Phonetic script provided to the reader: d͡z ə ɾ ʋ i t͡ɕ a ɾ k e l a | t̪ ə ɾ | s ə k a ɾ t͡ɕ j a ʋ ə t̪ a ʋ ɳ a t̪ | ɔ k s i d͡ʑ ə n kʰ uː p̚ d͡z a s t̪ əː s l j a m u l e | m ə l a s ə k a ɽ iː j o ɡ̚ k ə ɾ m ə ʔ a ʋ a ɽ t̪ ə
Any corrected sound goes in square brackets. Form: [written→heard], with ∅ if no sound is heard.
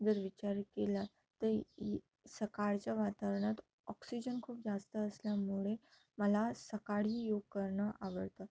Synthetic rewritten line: d͡z ə ɾ ʋ i t͡ɕ a ɾ k e l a | t̪ ə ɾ | s ə k a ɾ t͡ɕ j a ʋ [ə→a] t̪ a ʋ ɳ a t̪ | ɔ k s i d͡ʑ ə n kʰ uː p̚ d͡z a s t̪ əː s l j a m u [l→ɭ] e | m ə l a s ə k a ɽ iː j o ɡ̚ k ə ɾ [m→ɳ] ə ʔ a ʋ [a→ə] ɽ t̪ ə